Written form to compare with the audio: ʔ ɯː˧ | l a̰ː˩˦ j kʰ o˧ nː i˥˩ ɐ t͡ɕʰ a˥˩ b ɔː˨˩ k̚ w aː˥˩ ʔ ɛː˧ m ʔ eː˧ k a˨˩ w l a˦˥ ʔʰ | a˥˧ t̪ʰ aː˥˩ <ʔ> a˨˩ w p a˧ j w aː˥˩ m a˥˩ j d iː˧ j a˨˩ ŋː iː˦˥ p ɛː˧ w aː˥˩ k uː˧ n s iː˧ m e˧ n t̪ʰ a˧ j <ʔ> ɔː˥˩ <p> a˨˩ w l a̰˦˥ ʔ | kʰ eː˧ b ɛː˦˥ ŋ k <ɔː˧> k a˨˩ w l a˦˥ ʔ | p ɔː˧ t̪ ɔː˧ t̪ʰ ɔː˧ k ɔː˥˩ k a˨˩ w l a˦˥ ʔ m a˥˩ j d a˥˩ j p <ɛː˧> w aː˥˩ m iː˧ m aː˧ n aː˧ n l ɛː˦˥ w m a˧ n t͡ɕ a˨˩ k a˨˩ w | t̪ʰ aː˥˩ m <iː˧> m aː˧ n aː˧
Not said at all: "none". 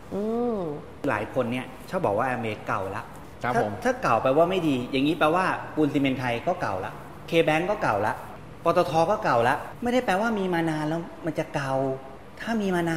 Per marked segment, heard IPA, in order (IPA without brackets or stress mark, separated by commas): k, k, k, ɔː˥˩, ɛː˧, iː˧